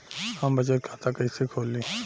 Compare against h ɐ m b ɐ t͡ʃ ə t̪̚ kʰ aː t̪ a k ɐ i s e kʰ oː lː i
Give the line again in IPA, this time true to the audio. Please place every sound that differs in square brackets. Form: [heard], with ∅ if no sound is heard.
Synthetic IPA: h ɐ m b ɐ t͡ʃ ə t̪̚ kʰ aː t̪ a k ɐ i s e kʰ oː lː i